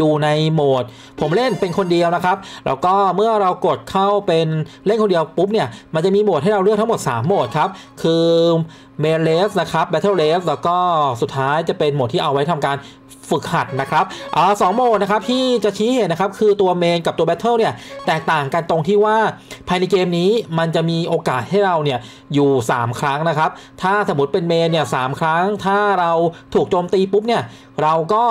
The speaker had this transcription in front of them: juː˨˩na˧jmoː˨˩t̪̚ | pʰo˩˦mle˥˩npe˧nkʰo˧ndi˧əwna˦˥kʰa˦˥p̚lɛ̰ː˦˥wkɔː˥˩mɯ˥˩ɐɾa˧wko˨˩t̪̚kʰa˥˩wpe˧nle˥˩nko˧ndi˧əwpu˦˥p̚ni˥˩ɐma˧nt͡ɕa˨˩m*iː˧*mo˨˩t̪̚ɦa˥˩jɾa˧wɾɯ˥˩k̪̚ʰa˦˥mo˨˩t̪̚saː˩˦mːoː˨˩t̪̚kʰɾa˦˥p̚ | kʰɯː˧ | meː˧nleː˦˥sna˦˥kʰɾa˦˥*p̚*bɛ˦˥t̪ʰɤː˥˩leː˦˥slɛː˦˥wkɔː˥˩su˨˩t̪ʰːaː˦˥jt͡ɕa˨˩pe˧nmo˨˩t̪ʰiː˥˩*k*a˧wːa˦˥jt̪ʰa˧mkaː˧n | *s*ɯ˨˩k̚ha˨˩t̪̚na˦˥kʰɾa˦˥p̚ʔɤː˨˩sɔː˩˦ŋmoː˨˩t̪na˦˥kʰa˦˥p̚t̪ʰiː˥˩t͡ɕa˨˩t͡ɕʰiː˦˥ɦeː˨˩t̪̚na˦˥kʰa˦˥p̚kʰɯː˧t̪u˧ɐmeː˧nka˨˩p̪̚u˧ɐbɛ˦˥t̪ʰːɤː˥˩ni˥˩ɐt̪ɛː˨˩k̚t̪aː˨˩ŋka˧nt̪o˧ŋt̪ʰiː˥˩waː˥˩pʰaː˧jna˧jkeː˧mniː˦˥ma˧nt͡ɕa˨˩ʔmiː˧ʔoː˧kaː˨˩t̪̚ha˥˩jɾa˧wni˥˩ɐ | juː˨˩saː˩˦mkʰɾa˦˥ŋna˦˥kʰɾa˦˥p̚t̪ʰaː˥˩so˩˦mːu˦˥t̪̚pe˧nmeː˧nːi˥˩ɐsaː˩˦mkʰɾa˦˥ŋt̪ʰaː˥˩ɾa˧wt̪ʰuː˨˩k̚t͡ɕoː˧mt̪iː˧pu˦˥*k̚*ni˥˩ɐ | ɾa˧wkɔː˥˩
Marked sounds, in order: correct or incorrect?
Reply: correct, correct, incorrect, incorrect, incorrect

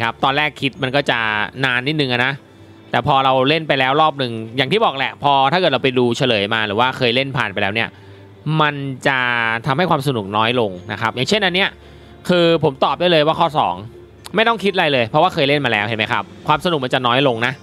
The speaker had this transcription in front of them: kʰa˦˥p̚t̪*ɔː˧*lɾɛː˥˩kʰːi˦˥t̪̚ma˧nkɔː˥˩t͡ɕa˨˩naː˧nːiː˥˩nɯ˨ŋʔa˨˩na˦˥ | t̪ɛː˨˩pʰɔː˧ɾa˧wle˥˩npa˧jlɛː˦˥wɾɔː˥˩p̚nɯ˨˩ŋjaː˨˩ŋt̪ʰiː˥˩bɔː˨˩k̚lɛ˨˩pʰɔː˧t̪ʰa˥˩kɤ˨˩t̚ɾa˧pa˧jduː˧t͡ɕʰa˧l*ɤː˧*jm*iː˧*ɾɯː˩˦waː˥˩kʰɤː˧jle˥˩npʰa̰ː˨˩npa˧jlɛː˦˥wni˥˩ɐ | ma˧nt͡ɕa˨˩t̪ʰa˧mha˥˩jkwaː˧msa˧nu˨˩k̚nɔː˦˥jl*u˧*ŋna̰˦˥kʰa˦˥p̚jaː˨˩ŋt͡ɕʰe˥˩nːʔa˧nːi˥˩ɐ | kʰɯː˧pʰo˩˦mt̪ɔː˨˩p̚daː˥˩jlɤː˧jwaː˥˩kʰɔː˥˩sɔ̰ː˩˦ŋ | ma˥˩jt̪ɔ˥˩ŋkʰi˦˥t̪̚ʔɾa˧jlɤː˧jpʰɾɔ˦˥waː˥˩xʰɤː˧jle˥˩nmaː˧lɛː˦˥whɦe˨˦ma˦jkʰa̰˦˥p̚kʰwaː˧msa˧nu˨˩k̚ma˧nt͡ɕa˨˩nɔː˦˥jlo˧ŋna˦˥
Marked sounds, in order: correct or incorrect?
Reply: correct, incorrect, incorrect, incorrect

